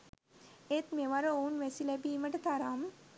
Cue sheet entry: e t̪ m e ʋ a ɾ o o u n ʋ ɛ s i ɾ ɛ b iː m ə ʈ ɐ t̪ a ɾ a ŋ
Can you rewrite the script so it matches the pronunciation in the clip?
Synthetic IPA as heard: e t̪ m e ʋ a ɾ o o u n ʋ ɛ s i l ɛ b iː m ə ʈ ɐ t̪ a ɾ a m